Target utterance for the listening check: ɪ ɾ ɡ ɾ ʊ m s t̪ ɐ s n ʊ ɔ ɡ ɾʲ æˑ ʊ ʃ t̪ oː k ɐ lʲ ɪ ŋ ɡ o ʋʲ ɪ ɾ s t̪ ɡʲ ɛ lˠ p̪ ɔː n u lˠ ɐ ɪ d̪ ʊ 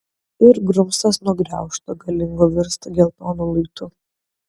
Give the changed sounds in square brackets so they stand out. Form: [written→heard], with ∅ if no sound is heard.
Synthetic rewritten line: ɪ ɾ ɡ ɾ ʊ m s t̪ ɐ s n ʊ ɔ ɡ ɾʲ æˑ ʊ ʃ t̪ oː [k→ɡ] ɐ lʲ ɪ ŋ ɡ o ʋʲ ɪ ɾ s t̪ ɡʲ ɛ lˠ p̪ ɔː n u lˠ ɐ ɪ [d̪→t̪] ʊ